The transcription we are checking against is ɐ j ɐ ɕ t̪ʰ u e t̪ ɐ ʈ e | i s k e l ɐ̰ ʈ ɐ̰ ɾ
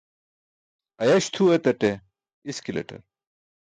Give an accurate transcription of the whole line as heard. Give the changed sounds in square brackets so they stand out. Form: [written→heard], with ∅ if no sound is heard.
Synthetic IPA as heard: ɐ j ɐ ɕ t̪ʰ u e t̪ ɐ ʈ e | i s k [e→i] l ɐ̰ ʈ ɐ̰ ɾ